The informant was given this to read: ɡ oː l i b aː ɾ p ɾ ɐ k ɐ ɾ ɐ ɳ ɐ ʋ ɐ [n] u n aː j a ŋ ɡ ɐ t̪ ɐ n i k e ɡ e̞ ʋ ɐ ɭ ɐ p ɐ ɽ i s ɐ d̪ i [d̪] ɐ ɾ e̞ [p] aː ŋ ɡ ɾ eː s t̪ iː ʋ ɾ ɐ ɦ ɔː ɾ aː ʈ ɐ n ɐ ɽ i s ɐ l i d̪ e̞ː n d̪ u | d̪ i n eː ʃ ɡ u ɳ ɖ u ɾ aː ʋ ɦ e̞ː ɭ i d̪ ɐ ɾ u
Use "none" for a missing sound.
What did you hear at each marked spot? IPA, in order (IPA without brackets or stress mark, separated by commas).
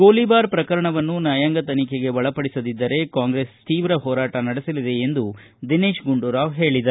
nː, d̪ː, k